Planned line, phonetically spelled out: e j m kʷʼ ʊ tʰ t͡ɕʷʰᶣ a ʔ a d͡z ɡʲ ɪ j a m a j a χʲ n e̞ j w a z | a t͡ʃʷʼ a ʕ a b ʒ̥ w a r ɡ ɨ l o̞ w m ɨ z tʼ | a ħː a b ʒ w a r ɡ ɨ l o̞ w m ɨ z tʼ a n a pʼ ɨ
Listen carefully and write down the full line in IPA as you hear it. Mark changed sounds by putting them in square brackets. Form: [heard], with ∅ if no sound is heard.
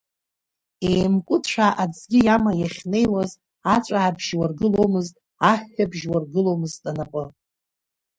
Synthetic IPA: e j m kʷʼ ʊ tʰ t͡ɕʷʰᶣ a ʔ a d͡z ɡʲ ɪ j a m a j a χʲ n e̞ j w a z | a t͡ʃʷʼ a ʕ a b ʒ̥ w a r ɡ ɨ l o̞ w m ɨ z tʼ | a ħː a b ʒ w a r ɡ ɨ l o̞ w m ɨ z tʼ a n a pʼ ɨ